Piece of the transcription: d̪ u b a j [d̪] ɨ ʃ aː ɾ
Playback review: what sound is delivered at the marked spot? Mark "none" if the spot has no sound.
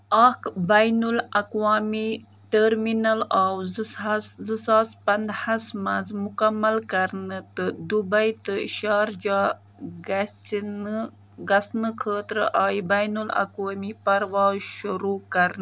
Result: t̪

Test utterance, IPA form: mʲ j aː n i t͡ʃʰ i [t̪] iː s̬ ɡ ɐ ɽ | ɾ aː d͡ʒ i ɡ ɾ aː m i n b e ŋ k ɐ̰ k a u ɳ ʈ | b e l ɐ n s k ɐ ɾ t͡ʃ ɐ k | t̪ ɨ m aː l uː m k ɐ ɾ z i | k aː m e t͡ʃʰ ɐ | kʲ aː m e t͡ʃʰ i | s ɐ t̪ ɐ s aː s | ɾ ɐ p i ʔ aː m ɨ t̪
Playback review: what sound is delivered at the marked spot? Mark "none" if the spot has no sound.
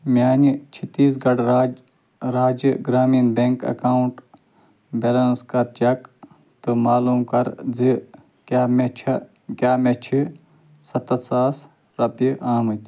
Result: t̪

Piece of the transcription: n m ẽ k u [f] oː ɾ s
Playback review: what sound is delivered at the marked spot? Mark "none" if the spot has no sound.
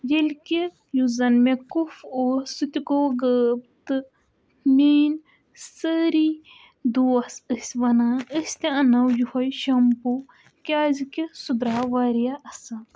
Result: f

